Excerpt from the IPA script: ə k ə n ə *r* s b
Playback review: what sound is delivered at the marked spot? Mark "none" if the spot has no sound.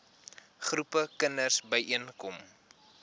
r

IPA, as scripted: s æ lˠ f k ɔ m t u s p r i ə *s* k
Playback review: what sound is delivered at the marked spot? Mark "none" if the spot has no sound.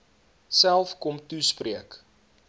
none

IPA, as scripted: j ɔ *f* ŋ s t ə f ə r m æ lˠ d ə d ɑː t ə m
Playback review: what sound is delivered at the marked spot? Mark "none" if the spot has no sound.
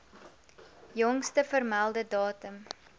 none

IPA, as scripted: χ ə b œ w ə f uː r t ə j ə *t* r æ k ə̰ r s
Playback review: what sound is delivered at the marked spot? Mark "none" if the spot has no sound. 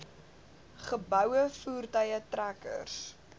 t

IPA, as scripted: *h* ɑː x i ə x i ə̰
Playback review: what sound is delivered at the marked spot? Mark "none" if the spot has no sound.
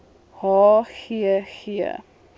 h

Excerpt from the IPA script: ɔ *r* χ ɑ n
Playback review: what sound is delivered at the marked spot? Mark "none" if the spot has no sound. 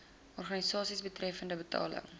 r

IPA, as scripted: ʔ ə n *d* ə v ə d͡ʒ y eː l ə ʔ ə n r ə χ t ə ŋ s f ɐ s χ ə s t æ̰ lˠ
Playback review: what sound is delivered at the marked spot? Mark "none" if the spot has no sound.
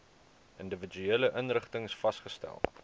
d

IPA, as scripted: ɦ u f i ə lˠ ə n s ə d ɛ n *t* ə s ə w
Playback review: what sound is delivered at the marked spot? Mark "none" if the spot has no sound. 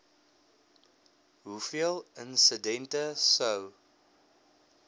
t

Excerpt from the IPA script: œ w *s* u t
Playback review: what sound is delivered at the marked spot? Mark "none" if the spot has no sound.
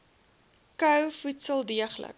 f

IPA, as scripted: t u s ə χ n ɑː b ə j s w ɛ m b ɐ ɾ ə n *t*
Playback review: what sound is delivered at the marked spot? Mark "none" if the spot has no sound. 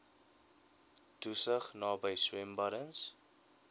s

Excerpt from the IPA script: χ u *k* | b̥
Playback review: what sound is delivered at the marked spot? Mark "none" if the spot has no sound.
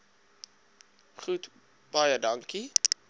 t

